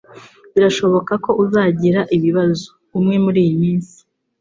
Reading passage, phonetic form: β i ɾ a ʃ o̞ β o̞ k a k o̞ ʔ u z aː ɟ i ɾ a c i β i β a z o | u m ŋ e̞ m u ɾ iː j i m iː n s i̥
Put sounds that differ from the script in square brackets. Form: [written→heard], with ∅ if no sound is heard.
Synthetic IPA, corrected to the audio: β i ɾ a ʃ o̞ β o̞ k a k o̞ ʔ u z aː ɟ i ɾ a [c→ʔ] i β i β a z o | u m ŋ e̞ m u ɾ iː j i m iː n s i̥